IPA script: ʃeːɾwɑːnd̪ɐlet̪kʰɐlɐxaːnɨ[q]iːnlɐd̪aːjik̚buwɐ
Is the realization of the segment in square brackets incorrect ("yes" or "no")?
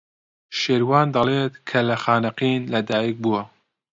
no